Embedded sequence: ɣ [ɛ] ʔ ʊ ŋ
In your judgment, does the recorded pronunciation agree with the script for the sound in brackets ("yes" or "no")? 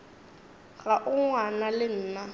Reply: no